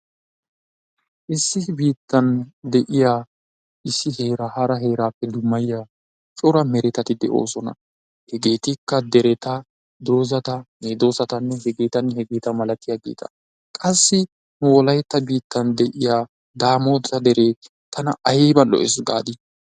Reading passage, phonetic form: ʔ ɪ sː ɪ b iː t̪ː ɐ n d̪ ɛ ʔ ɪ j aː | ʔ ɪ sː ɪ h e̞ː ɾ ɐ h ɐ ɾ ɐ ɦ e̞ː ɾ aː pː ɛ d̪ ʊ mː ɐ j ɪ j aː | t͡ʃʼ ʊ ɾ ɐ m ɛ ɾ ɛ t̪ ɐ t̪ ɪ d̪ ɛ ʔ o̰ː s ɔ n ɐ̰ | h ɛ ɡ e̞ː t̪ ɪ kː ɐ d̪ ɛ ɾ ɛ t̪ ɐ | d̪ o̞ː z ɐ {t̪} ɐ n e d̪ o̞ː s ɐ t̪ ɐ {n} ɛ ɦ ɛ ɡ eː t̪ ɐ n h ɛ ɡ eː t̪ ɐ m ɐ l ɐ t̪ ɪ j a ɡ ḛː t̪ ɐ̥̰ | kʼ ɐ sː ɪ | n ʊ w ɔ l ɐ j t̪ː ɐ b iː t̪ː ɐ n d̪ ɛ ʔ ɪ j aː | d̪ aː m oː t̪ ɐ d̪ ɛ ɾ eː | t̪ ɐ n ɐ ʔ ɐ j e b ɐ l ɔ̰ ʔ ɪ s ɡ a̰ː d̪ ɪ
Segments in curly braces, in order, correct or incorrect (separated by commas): correct, incorrect